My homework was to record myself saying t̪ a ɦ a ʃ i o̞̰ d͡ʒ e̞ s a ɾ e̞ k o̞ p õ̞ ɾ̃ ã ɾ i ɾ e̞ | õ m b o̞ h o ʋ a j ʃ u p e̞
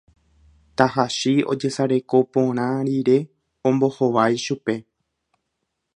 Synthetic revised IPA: t̪ a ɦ a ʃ i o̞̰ d͡ʒ e̞ s a ɾ e̞ k o̞ p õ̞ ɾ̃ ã ɾ i ɾ e̞ | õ m b o̞ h o ʋ a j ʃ u p e̞